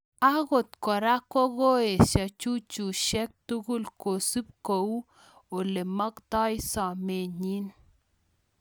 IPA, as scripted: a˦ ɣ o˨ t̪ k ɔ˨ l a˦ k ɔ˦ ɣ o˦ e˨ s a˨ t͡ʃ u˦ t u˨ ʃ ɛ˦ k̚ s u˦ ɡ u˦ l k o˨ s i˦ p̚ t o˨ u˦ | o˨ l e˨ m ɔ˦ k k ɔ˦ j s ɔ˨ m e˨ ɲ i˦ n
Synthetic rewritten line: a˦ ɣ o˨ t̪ k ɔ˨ ɾ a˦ k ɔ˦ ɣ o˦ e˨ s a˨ t͡ʃ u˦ t͡ʃ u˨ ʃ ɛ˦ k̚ t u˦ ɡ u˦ l k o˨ s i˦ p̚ k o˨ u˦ | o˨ l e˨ m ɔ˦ k t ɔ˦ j s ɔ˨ m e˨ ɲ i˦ n